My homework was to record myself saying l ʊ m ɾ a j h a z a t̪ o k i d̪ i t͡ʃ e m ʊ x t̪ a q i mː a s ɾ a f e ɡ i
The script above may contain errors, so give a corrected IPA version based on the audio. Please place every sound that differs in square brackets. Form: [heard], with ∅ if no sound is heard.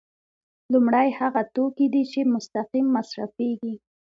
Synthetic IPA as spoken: l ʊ m [ɽ] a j h a [ɣ] a t̪ o k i d̪ i t͡ʃ e m ʊ [s] t̪ a q i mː a s ɾ a f e ɡ i